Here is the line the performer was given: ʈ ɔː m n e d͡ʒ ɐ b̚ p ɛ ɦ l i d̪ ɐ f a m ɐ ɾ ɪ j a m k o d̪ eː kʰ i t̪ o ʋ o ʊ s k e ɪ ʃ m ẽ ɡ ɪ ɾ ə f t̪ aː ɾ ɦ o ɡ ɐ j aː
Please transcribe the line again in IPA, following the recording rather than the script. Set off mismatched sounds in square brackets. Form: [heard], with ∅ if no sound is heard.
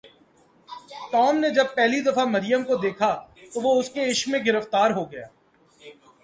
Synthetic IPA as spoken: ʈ ɔː m n e d͡ʒ ɐ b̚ p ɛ ɦ l i d̪ ɐ f a m ɐ ɾ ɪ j [ə] m k o d̪ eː kʰ [a] t̪ o ʋ o ʊ s k e ɪ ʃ m ẽ ɡ ɪ ɾ ə f t̪ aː ɾ ɦ o ɡ ɐ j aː